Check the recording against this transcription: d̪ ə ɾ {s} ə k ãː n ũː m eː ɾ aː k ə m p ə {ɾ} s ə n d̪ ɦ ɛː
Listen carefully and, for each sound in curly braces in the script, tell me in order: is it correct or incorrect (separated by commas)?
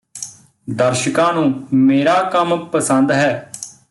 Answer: incorrect, incorrect